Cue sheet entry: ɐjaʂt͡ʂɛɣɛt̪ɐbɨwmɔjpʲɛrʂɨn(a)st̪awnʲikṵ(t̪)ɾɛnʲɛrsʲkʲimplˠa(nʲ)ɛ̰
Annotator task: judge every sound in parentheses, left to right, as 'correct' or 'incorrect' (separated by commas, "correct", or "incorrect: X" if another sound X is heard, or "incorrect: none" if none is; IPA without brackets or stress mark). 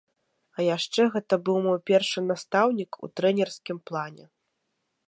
correct, correct, correct